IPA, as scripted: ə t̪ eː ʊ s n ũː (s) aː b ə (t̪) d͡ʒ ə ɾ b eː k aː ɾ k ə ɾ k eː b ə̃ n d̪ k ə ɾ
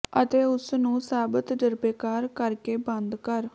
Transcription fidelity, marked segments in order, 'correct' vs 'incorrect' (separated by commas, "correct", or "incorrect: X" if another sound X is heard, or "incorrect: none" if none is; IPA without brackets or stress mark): correct, correct